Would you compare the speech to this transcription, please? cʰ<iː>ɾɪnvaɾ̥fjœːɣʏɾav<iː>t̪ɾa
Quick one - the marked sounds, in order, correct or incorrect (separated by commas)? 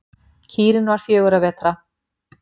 correct, incorrect